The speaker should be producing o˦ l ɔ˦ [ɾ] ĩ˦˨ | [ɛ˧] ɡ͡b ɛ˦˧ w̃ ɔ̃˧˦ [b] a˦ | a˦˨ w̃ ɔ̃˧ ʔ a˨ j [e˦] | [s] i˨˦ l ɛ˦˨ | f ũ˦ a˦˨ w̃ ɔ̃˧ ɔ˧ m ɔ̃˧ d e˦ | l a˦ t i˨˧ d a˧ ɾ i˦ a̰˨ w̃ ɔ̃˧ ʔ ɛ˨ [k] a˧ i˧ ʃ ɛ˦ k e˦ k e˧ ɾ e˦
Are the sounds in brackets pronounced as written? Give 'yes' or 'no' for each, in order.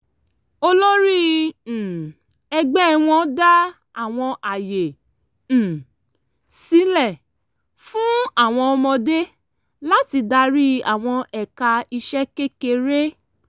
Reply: yes, yes, no, no, yes, yes

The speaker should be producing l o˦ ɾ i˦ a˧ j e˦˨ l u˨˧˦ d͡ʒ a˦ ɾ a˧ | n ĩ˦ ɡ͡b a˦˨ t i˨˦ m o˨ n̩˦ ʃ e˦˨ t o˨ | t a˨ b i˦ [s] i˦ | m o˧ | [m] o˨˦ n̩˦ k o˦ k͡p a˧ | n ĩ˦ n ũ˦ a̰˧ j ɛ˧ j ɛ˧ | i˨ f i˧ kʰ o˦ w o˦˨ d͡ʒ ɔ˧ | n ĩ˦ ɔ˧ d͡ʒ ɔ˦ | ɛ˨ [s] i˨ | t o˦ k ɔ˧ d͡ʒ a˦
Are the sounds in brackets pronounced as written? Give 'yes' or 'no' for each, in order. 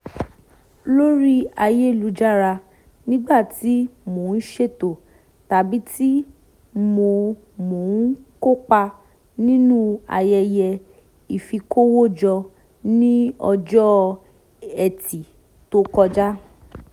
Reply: no, yes, no

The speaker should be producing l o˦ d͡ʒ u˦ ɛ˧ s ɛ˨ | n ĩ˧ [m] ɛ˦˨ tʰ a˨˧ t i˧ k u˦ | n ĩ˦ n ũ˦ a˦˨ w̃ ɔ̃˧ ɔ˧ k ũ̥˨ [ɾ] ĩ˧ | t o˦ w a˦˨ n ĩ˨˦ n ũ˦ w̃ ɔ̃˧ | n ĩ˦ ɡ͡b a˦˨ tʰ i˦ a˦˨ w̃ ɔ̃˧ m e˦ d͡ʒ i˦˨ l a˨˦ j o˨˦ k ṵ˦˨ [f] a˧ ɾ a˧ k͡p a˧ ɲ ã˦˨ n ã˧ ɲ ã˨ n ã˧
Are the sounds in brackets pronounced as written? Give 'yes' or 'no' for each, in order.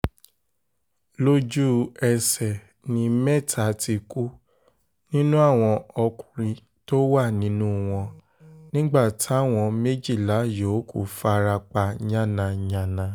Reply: yes, yes, yes

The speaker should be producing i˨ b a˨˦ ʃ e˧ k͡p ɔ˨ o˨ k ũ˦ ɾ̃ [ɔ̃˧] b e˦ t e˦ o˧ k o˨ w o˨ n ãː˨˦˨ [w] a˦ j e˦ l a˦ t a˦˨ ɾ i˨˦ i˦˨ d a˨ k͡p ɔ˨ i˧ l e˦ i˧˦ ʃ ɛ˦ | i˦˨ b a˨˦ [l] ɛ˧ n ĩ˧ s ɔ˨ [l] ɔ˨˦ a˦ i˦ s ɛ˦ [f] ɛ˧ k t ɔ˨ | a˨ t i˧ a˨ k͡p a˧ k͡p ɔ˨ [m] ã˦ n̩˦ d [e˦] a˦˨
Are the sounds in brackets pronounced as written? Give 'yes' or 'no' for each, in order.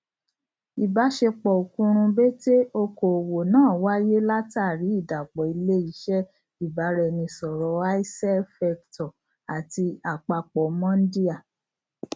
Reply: no, yes, no, no, yes, yes, no

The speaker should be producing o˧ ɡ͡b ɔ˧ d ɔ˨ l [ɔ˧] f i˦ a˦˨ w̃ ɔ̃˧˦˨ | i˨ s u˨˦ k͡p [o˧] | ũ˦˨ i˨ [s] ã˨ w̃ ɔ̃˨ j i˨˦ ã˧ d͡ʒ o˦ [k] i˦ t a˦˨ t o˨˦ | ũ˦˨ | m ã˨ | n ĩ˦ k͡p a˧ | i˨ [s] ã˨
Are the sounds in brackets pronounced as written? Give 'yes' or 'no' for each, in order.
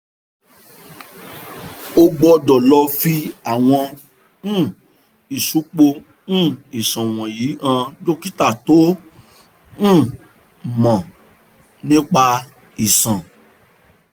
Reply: yes, yes, yes, yes, yes

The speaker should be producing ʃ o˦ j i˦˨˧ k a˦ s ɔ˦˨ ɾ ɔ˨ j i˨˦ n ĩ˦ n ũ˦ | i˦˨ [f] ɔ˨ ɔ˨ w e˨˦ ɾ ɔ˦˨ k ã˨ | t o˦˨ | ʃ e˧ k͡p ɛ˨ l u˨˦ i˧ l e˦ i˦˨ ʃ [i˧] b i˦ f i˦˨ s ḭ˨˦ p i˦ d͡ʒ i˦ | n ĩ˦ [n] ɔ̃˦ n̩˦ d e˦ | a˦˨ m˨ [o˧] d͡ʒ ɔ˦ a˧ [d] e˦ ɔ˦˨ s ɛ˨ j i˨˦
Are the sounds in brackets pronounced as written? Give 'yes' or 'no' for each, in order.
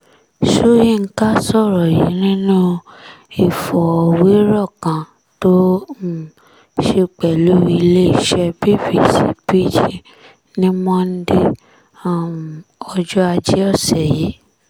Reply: yes, no, no, no, no

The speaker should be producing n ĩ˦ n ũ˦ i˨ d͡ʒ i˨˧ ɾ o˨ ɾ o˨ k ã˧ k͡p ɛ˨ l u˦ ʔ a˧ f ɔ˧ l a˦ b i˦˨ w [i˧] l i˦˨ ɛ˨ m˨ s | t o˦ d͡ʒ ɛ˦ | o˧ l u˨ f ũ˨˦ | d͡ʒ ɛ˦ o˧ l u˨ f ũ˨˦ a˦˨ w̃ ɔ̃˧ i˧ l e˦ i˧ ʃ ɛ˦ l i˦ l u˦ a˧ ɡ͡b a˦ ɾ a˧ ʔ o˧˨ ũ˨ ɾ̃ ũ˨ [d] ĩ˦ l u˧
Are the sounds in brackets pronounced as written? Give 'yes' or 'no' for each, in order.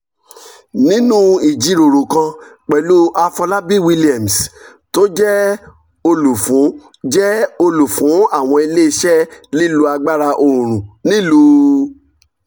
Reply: yes, no

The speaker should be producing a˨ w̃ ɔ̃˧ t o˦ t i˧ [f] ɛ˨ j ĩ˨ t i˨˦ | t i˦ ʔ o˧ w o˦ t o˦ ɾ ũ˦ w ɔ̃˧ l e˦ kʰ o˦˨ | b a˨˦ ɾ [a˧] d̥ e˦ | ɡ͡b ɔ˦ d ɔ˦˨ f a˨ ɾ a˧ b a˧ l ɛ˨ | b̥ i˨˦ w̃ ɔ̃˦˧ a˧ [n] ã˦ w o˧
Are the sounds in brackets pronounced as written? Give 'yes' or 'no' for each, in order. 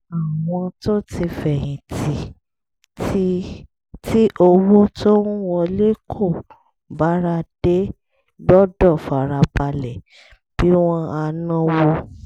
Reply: yes, yes, yes

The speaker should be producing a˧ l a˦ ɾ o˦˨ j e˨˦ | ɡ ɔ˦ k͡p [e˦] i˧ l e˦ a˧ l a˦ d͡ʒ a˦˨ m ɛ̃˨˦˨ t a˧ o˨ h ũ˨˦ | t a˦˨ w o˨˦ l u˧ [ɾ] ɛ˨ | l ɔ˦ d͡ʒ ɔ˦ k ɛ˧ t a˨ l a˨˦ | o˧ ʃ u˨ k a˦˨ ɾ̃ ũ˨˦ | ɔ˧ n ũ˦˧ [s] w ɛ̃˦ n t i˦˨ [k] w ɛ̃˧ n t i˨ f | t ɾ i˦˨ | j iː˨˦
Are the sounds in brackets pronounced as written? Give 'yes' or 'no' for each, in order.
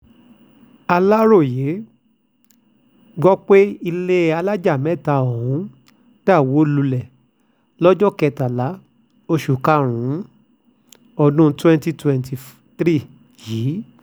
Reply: yes, no, no, no

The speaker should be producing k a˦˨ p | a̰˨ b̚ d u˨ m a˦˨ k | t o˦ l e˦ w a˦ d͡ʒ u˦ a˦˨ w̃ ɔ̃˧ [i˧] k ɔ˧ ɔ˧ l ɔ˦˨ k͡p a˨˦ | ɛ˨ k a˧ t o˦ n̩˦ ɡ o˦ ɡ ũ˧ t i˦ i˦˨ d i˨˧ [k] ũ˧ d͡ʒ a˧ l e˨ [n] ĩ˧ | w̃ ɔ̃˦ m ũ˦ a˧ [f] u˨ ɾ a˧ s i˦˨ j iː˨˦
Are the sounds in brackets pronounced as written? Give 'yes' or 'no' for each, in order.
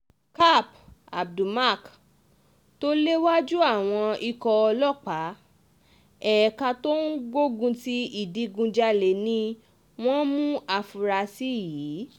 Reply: yes, no, yes, yes

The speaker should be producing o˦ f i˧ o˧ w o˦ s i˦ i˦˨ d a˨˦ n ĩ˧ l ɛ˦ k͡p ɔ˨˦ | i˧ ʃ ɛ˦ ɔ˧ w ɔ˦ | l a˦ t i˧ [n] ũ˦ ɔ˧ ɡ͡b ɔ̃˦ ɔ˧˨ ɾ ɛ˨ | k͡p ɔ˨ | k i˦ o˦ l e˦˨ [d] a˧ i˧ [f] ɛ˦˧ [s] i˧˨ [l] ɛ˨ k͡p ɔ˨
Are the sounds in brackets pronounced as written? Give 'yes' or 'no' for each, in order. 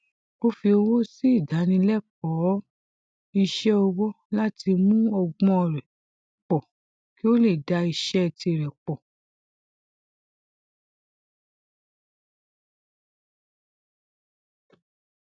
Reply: no, yes, no, no, no

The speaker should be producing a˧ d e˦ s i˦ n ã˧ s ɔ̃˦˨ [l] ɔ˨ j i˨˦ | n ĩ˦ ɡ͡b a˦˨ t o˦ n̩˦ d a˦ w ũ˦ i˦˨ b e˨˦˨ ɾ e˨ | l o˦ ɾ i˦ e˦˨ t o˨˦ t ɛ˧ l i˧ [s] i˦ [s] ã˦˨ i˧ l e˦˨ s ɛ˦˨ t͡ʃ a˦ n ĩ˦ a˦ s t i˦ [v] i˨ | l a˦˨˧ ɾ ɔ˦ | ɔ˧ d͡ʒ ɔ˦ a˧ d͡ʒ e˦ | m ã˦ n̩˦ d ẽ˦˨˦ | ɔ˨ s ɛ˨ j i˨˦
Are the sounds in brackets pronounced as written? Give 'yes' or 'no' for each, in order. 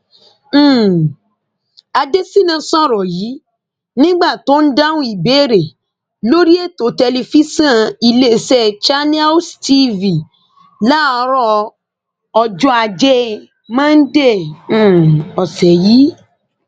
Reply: no, no, yes, yes

